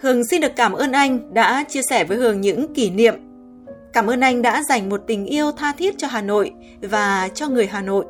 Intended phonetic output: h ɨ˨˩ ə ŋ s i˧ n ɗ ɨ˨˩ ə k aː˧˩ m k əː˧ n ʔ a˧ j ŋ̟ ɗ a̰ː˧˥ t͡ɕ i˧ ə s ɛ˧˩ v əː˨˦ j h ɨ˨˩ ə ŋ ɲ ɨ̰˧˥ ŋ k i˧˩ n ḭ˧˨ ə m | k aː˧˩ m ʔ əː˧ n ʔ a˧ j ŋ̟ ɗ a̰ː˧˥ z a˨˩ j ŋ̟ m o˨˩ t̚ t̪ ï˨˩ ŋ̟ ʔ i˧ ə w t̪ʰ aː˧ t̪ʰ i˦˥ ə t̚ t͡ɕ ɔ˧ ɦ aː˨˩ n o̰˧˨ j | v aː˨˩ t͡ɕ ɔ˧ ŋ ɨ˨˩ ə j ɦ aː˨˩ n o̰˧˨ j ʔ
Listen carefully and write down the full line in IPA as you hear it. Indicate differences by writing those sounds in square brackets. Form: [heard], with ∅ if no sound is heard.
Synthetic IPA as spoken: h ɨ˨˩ ə ŋ s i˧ n ɗ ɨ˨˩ ə k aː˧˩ m [ʔ] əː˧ n ʔ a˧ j ŋ̟ ɗ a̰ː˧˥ t͡ɕ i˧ ə s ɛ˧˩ v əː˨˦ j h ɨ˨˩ ə ŋ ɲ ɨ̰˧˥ ŋ k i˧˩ n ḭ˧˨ ə m | k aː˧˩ m ʔ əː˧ n ʔ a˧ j ŋ̟ ɗ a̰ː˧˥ z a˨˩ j ŋ̟ m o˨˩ t̚ t̪ ï˨˩ ŋ̟ ʔ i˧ ə w t̪ʰ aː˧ t̪ʰ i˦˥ ə t̚ t͡ɕ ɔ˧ ɦ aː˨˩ n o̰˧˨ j | v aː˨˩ t͡ɕ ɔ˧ ŋ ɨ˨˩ ə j ɦ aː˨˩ n o̰˧˨ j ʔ